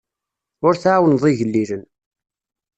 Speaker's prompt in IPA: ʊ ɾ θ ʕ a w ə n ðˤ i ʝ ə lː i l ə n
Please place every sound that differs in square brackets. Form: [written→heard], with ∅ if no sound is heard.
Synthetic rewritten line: ʊ ɾ θ ʕ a w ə n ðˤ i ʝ ə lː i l ə n